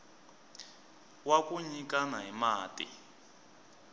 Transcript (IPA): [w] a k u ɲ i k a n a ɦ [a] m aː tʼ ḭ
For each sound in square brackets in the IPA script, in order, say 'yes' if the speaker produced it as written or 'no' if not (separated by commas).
yes, no